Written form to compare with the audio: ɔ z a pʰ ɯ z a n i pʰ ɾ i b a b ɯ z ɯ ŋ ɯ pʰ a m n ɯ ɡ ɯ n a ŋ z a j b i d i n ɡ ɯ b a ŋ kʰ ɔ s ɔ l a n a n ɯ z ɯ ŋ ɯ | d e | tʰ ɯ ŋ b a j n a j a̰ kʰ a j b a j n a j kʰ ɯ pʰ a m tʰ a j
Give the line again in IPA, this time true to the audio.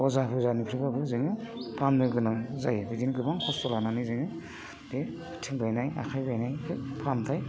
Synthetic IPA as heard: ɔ z a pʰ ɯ z a n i pʰ ɾ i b a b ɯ z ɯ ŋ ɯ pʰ a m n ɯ ɡ ɯ n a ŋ z a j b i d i n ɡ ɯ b a ŋ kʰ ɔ s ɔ l a n a n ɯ z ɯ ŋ ɯ | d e | tʰ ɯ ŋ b a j n a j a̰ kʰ a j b a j n a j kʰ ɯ pʰ a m tʰ a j